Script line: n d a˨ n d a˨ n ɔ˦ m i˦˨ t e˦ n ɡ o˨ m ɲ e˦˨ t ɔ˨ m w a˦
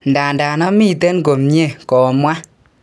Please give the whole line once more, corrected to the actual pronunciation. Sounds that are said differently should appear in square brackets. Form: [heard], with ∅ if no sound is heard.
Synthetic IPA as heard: n d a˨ n d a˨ n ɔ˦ m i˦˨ t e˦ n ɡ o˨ m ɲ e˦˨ [k] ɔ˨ m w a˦